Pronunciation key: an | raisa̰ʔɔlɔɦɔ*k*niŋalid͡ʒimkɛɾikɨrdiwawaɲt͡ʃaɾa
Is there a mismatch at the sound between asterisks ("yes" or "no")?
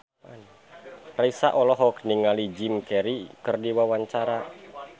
no